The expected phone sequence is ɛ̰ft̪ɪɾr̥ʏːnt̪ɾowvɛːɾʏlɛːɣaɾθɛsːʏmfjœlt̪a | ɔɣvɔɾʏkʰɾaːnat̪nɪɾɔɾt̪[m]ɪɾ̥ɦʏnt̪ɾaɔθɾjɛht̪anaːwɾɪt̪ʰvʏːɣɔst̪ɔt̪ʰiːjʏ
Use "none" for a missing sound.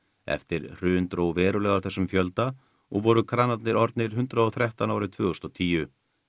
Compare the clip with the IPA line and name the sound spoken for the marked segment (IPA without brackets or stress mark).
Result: n